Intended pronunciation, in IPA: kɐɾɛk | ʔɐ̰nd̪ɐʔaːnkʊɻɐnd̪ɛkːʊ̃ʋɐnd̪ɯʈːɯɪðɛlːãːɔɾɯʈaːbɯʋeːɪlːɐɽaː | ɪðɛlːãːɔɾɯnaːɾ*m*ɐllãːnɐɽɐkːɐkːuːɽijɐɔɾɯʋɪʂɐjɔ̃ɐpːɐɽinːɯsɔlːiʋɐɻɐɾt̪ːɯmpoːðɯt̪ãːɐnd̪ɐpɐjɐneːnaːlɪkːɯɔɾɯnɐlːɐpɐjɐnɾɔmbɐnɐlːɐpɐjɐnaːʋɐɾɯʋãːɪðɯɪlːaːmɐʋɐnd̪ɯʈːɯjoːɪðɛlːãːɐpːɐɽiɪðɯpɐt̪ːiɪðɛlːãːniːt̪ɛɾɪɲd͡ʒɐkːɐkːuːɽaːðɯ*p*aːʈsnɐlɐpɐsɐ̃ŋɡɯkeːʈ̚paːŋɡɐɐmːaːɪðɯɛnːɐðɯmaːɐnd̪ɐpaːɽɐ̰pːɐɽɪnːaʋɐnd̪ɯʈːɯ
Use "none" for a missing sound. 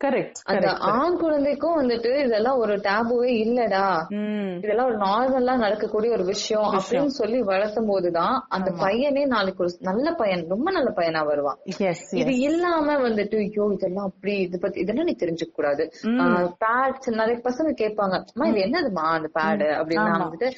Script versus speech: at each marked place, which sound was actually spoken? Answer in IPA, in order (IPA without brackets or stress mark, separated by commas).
m, p